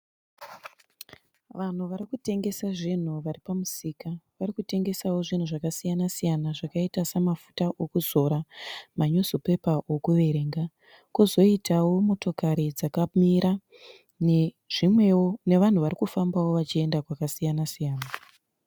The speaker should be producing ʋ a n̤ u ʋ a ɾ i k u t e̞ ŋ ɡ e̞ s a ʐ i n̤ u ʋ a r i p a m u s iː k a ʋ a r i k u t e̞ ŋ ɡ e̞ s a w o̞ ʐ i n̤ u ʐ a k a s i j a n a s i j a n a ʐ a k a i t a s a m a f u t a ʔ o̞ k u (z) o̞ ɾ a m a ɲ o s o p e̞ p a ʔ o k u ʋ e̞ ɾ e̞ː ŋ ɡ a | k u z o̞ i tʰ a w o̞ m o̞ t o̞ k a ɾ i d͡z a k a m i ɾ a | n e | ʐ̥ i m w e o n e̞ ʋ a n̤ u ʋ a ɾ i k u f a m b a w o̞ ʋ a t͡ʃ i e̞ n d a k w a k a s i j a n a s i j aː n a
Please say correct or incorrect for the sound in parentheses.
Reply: correct